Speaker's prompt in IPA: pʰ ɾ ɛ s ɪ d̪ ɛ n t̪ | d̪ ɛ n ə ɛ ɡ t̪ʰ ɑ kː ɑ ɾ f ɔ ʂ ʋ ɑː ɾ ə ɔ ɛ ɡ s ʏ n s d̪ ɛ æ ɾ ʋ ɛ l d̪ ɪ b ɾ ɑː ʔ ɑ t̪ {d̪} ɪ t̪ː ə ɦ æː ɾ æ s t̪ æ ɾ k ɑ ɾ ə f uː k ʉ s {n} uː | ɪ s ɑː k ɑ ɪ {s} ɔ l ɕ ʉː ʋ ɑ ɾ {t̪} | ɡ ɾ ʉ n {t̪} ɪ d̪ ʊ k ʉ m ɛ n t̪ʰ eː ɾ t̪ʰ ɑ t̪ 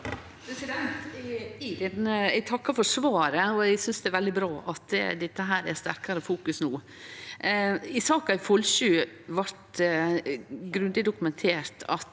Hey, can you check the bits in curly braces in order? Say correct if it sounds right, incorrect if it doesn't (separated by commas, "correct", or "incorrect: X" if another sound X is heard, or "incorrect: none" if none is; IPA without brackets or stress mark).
correct, correct, incorrect: f, correct, incorrect: d̪